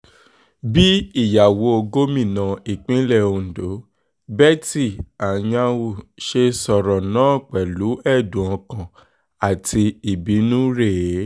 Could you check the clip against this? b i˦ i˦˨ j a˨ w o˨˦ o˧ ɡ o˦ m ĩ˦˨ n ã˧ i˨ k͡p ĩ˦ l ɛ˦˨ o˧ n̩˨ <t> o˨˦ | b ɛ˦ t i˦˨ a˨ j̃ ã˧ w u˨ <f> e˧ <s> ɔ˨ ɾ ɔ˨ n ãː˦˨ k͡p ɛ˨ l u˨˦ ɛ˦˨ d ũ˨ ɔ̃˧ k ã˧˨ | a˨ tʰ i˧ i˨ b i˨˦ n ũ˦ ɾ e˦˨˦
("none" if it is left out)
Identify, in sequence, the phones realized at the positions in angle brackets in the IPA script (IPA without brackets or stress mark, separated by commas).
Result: d, ʃ, s